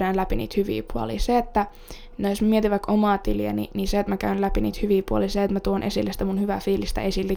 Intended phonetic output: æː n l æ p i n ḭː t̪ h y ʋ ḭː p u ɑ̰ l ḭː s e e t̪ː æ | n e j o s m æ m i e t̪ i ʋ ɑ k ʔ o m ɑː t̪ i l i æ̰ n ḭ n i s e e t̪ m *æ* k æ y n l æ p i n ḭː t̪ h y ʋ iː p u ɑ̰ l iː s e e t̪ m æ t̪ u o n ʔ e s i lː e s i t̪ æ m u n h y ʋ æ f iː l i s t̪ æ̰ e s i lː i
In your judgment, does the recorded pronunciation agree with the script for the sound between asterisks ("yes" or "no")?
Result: yes